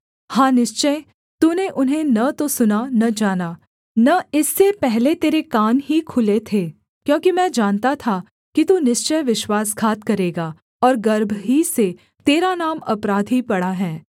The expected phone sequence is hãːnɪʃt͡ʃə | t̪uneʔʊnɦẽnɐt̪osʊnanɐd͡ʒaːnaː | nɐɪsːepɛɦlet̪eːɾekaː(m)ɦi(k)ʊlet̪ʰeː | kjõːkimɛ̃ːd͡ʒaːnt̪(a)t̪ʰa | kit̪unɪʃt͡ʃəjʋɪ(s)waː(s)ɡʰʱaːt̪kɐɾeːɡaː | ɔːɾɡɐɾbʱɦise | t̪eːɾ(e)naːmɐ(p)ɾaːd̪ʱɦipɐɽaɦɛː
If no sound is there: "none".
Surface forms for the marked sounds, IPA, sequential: n, kʰ, a, ʃ, s, a, p

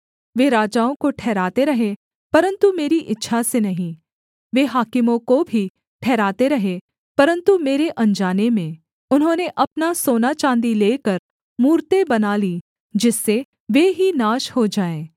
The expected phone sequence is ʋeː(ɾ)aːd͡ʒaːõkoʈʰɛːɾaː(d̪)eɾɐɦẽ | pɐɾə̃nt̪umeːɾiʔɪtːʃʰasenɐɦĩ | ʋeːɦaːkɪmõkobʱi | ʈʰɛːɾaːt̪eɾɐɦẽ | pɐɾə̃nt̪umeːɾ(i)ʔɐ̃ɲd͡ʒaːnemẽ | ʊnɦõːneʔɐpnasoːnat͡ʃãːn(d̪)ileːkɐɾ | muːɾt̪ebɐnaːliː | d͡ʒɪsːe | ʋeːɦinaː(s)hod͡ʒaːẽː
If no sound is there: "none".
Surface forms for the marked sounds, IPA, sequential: ɾ, t̪, e, d̪, ʃ

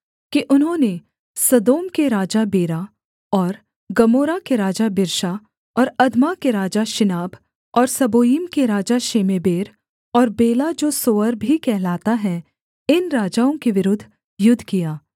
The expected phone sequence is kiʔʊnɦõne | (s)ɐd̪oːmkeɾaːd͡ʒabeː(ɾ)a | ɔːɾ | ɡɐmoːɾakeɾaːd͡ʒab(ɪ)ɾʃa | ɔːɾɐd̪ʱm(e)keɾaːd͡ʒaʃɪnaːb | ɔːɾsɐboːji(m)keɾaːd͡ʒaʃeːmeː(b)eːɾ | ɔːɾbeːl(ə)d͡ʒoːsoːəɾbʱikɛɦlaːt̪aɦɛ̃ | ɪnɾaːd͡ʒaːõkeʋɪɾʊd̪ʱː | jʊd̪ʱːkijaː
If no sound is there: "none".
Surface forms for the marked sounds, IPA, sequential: s, ɾ, ɪ, a, m, b, a

